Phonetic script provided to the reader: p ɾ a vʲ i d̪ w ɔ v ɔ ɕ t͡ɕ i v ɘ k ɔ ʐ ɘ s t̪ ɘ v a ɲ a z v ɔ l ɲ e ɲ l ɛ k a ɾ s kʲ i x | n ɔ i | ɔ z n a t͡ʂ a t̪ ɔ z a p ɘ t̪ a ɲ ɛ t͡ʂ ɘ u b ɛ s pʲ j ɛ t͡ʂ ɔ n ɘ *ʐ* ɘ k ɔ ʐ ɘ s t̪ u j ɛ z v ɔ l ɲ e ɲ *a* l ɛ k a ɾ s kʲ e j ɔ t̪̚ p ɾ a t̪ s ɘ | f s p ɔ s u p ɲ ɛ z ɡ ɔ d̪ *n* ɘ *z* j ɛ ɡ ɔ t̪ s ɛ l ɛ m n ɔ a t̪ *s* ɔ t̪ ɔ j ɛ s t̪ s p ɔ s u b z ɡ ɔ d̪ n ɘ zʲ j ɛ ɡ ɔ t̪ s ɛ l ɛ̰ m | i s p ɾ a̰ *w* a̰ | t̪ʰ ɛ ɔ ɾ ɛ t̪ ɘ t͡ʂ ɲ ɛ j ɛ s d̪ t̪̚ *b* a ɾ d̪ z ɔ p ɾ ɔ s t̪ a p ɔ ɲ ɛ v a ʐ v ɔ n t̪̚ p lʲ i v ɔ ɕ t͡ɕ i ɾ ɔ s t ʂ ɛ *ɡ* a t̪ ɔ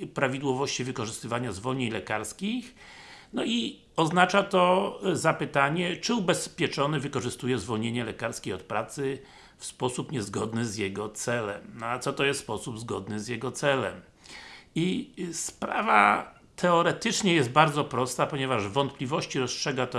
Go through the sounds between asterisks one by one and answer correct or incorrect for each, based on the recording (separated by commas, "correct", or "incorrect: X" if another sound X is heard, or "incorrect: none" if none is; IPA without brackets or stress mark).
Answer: incorrect: v, incorrect: ɛ, correct, correct, correct, incorrect: v, correct, correct